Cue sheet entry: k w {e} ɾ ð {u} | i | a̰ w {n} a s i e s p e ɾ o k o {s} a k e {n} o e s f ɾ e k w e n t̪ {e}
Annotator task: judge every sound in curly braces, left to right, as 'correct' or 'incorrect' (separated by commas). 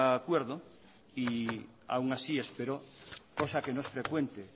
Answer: correct, incorrect, incorrect, correct, correct, correct